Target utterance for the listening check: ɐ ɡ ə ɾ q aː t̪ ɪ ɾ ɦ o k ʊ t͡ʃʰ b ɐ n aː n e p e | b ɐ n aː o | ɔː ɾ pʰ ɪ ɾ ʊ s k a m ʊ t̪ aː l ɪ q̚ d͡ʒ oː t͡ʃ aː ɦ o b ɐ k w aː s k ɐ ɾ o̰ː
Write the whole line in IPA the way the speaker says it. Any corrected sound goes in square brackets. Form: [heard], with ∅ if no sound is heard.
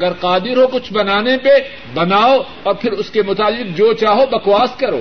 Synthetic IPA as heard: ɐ ɡ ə ɾ q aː [d̪] ɪ ɾ ɦ o k ʊ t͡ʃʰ b ɐ n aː n e p e | b ɐ n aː o | ɔː ɾ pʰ ɪ ɾ ʊ s k [e] m ʊ t̪ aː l ɪ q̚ d͡ʒ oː t͡ʃ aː ɦ o b ɐ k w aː s k ɐ ɾ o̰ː